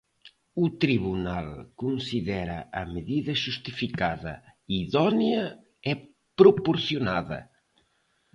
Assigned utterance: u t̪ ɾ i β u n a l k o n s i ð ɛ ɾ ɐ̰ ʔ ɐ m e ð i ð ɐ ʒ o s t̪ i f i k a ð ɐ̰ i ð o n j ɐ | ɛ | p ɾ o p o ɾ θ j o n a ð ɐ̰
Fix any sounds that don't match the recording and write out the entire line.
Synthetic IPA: u t̪ ɾ i β u n a l k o n s i ð ɛ ɾ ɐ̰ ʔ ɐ m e ð i ð ɐ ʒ u s t̪ i f i k a ð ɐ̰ i ð ɔ n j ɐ | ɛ | p ɾ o p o ɾ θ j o n a ð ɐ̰